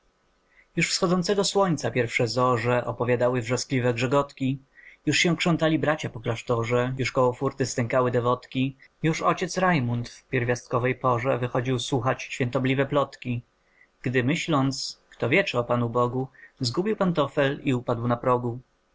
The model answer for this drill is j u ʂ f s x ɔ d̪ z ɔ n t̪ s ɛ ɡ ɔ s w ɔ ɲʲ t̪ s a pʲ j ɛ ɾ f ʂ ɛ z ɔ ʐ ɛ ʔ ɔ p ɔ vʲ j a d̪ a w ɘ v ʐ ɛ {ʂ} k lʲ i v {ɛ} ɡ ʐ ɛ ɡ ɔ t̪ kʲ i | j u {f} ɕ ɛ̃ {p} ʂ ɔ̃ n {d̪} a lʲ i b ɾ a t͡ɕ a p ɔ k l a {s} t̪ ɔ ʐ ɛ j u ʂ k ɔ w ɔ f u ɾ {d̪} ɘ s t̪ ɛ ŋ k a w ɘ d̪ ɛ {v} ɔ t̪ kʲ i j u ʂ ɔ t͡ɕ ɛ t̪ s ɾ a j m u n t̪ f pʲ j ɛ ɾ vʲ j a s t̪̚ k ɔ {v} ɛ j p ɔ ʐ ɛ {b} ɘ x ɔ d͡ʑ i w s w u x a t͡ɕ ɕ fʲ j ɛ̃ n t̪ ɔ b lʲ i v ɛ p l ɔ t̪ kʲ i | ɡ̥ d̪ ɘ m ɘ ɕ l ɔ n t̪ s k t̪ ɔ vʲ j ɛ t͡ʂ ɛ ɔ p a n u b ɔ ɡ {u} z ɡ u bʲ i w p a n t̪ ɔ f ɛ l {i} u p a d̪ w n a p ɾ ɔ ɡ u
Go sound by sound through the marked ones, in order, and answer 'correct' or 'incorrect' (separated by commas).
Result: incorrect, correct, incorrect, incorrect, incorrect, incorrect, incorrect, correct, correct, incorrect, correct, correct